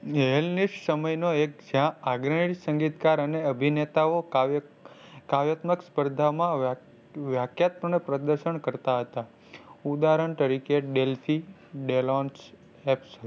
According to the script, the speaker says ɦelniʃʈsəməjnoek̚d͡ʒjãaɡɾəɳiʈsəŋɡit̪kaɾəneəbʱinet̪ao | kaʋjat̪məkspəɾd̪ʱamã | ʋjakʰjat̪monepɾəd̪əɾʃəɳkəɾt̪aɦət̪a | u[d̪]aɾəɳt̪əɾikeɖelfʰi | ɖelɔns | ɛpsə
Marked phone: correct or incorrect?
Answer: correct